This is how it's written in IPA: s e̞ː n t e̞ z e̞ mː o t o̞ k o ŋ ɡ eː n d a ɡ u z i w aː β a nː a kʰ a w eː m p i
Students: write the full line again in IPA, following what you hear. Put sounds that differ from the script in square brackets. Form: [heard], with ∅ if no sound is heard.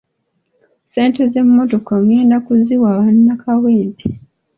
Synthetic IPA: s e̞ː n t e̞ z e̞ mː o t o̞ k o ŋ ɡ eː n d a [k] u z i w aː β a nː a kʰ a w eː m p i